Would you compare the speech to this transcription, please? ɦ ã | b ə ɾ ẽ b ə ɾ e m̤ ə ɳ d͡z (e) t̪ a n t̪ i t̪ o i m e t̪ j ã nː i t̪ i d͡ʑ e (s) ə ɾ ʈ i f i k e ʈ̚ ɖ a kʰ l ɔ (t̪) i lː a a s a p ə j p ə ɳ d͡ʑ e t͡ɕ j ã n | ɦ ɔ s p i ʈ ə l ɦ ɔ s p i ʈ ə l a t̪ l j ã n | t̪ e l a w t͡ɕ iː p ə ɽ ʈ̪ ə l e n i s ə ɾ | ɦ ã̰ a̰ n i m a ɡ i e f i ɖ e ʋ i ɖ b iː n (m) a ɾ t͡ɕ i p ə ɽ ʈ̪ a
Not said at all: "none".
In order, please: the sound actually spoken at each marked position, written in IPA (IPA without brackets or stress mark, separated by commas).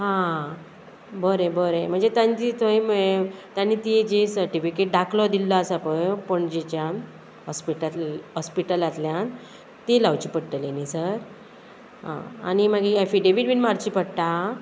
e, s, d̪, m